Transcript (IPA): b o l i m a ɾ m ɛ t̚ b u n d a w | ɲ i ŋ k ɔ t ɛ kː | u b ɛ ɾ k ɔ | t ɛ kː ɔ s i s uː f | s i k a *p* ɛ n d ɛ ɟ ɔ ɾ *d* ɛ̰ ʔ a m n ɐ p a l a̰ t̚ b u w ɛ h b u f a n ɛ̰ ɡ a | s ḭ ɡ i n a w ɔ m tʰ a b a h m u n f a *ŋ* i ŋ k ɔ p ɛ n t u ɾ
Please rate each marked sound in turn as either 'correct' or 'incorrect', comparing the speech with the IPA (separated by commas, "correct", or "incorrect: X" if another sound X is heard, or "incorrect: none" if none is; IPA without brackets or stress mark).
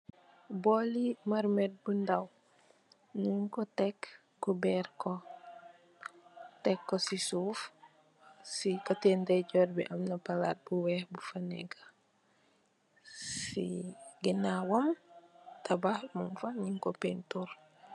incorrect: t, incorrect: b, incorrect: ɲ